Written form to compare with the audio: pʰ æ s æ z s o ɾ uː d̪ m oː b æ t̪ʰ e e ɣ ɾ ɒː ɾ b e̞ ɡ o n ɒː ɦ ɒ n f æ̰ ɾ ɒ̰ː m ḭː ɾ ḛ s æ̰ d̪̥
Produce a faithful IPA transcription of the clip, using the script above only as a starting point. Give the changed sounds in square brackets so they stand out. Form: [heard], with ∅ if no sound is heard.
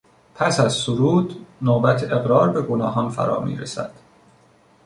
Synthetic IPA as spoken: pʰ æ s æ z s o ɾ uː d̪ [n] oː b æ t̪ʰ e e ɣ ɾ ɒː ɾ b e̞ ɡ o n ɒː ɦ ɒ n f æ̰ ɾ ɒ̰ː m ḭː ɾ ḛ s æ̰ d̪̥